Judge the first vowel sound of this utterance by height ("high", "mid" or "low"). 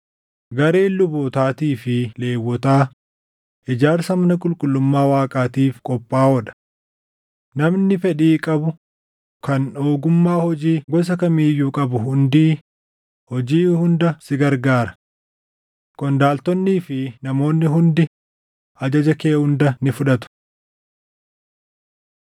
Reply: low